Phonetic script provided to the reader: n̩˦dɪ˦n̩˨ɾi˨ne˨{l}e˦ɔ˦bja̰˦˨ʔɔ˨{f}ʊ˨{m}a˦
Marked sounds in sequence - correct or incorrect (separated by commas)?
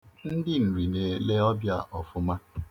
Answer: correct, correct, correct